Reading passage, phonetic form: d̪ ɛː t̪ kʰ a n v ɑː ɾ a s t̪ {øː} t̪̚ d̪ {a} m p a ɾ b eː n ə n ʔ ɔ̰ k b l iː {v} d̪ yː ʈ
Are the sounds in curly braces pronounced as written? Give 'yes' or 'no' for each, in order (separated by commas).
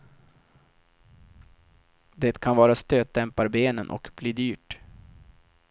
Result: yes, no, no